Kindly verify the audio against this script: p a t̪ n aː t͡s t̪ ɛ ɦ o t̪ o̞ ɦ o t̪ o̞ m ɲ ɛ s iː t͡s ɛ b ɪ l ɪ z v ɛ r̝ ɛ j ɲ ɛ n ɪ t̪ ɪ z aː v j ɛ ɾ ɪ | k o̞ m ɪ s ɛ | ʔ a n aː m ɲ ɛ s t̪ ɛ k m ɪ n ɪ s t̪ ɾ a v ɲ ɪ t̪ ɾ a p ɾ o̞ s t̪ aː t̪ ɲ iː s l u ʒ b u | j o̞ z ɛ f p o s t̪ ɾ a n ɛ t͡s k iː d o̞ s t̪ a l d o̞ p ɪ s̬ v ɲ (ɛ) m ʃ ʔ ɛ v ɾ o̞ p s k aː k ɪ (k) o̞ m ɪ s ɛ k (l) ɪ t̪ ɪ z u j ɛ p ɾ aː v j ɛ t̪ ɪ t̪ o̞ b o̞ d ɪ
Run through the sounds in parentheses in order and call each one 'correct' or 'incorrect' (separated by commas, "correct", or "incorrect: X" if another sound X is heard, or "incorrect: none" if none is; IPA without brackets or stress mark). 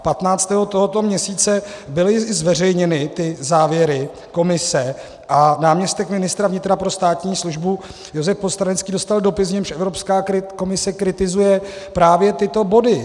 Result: correct, correct, incorrect: ɾ